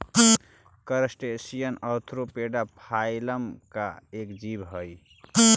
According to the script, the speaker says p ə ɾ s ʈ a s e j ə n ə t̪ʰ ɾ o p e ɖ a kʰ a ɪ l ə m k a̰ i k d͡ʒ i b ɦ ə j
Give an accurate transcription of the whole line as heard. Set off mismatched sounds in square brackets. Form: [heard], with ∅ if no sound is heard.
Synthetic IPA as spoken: [k] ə ɾ s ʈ [e] s [i] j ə n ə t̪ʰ ɾ o p e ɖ a [pʰ] a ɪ l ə m k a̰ [e] k d͡ʒ i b ɦ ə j